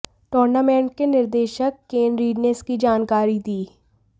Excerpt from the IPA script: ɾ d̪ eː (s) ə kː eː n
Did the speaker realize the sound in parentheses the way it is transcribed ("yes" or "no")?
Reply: no